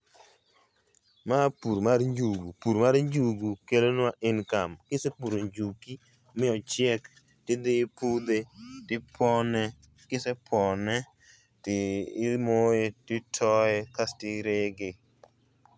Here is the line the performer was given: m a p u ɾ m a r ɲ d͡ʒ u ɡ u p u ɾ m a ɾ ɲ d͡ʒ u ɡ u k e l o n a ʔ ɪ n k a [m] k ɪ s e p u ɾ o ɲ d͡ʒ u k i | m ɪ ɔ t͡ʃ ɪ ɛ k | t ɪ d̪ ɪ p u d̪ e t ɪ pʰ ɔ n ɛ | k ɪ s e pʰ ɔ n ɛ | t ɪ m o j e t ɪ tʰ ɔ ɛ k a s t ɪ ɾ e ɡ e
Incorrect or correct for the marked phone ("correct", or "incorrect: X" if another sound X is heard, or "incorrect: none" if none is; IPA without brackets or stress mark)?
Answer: correct